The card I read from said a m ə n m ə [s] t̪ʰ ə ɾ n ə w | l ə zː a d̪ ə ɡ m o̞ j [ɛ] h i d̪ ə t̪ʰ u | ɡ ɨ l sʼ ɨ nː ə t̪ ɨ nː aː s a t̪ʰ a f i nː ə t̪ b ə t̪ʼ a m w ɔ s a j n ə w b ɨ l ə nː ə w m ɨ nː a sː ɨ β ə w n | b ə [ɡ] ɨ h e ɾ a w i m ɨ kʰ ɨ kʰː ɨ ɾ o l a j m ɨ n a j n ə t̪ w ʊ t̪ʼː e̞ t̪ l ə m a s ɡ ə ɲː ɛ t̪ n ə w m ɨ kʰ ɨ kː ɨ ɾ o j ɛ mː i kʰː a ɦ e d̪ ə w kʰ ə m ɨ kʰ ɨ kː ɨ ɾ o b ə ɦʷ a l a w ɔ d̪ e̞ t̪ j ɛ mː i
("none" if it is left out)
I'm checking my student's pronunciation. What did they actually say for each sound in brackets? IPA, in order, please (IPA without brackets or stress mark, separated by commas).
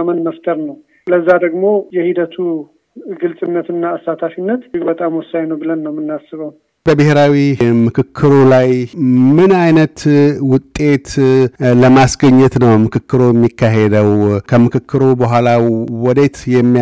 f, ɛ, b